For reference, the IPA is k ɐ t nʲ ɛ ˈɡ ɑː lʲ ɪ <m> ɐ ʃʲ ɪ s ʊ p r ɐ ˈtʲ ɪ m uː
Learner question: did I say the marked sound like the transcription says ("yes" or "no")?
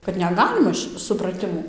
yes